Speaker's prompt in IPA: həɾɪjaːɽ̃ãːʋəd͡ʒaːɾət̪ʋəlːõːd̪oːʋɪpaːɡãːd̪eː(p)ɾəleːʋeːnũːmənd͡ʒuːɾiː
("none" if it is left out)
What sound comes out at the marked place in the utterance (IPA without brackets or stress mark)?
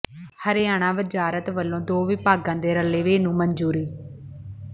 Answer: none